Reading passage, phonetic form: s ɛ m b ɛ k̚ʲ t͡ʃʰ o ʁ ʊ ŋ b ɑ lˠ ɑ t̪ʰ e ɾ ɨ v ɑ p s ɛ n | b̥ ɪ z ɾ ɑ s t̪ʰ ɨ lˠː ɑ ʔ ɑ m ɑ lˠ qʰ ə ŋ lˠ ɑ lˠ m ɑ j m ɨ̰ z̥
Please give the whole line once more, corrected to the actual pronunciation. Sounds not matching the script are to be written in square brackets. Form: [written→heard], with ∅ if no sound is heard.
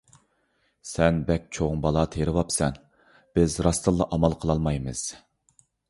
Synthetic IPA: s ɛ [m→n] b ɛ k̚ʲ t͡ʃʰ o ʁ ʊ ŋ b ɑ lˠ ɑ t̪ʰ e ɾ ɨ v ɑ p s ɛ n | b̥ ɪ z ɾ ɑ s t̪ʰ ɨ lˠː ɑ ʔ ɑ m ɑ lˠ qʰ ə [ŋ→∅] lˠ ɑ lˠ m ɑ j m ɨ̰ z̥